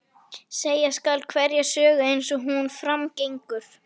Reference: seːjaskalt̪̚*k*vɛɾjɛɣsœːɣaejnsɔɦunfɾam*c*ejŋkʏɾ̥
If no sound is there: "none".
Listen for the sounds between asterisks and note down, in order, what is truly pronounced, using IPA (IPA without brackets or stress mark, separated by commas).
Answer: kʰ, c